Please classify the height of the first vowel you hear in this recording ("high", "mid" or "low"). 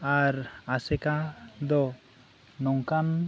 low